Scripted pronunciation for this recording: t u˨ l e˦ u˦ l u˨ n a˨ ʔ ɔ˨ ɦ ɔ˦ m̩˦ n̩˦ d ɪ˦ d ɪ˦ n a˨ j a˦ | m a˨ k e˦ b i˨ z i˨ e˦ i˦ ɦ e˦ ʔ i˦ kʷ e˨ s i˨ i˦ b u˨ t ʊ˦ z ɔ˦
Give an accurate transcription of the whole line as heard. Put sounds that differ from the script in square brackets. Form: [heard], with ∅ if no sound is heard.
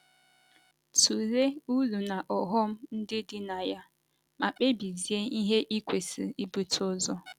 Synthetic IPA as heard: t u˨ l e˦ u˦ l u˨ n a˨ ʔ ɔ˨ ɦ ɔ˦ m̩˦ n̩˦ d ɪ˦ d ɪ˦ n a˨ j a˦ | m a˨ [k͡p] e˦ b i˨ z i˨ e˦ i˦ ɦ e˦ ʔ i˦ kʷ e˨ s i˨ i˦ b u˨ t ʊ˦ z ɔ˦